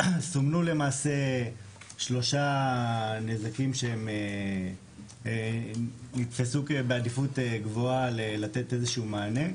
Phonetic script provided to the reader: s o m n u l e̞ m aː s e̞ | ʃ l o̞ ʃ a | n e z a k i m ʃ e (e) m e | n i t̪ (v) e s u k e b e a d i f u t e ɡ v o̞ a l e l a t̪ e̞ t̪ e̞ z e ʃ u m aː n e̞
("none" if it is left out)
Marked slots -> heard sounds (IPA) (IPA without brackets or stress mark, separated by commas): e, f